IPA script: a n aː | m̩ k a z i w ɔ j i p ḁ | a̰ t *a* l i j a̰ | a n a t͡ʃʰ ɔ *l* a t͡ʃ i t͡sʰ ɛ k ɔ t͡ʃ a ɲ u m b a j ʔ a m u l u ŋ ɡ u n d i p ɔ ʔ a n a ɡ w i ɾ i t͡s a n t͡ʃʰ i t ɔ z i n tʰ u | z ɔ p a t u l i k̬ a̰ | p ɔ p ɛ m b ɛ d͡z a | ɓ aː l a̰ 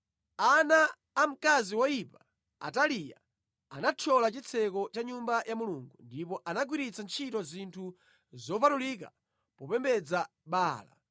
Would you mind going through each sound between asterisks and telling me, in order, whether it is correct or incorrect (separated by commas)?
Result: correct, correct